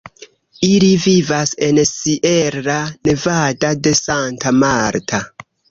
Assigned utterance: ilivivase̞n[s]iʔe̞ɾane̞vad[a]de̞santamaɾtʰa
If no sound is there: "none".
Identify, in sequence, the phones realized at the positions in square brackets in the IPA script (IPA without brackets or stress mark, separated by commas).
s, a